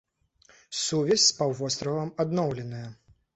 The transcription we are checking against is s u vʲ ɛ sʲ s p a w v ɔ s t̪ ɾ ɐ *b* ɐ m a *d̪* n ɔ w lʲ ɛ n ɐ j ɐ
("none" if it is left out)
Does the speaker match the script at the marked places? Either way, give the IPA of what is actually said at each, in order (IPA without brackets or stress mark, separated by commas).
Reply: v, d̪